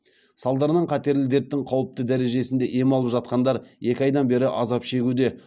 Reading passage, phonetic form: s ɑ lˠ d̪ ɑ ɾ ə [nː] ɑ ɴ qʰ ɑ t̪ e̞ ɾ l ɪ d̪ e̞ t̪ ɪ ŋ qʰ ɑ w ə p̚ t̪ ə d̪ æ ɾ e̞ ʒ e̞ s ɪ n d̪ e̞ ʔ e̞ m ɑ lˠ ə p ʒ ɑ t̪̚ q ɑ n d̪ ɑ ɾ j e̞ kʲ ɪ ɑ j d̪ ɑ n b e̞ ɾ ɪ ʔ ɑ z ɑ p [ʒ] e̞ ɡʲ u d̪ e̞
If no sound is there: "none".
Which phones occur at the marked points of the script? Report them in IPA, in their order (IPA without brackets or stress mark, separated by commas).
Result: n, ʃ